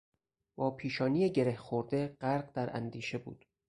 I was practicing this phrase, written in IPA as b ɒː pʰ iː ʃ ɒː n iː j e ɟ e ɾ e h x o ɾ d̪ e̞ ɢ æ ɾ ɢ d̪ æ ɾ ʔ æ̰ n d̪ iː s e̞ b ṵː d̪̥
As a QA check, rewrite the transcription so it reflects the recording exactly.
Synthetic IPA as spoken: b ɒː pʰ iː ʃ ɒː n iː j e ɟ e ɾ e h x o ɾ d̪ e̞ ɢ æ ɾ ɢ d̪ æ ɾ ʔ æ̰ n d̪ iː ʃ e̞ b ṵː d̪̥